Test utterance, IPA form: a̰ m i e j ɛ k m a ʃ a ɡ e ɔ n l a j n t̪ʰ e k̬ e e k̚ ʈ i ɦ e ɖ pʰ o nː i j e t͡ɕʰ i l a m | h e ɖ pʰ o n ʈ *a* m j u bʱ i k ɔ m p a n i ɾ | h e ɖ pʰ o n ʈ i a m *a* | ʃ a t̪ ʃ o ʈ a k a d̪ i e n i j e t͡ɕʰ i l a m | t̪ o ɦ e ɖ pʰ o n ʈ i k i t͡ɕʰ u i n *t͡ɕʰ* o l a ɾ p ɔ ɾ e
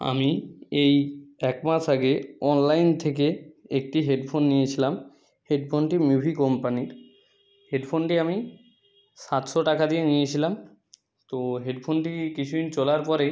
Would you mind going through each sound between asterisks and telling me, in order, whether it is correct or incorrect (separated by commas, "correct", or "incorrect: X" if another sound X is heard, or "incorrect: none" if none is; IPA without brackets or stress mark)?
incorrect: i, incorrect: i, incorrect: t͡ɕ